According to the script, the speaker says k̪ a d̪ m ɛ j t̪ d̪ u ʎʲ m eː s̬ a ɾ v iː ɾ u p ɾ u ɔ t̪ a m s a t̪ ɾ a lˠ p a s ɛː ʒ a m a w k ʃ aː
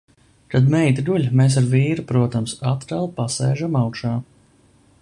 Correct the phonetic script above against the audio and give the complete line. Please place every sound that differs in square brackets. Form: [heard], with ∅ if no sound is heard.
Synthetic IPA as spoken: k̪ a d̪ m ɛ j t̪ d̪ u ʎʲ m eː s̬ a ɾ v iː ɾ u p ɾ u ɔ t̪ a m s a t̪ ɾ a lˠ p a s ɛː ʒ a m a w k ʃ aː